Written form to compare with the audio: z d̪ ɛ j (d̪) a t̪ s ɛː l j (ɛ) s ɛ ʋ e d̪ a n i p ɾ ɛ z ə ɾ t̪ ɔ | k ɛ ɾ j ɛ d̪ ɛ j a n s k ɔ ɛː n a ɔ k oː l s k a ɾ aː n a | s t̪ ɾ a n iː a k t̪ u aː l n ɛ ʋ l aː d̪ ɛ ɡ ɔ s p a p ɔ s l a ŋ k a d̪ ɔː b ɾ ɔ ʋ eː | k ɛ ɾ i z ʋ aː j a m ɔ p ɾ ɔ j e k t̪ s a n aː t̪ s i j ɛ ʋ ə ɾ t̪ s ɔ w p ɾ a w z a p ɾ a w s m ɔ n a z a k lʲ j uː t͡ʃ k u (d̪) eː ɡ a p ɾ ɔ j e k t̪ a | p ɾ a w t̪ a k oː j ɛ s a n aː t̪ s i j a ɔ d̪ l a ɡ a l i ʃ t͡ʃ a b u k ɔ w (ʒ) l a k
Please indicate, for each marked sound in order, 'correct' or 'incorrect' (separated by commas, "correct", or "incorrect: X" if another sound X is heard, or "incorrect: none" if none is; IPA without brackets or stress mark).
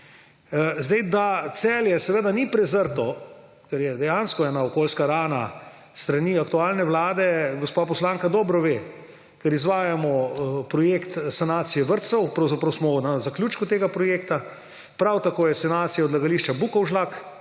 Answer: correct, correct, incorrect: t̪, correct